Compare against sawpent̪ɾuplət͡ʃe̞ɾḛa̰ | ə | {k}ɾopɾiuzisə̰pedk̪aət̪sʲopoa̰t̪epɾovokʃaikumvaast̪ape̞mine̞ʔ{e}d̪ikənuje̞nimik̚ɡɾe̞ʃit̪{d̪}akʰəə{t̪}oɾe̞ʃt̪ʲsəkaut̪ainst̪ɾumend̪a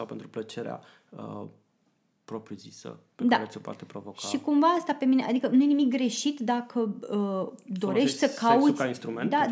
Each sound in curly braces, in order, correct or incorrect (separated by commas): incorrect, incorrect, correct, incorrect